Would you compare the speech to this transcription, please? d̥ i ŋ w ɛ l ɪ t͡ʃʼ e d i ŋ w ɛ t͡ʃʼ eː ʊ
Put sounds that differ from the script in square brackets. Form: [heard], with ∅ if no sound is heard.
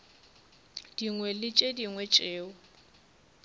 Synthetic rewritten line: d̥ i ŋ w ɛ l ɪ t͡ʃʼ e d i ŋ w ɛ t͡ʃʼ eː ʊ